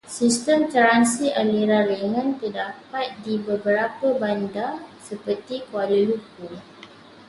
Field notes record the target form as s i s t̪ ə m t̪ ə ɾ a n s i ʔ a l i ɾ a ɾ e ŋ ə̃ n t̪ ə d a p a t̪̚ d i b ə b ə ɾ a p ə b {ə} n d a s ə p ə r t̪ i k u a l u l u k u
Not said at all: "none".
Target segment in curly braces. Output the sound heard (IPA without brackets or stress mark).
a